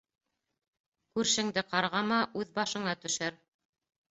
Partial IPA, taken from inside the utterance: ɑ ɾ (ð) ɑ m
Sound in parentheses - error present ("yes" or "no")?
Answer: yes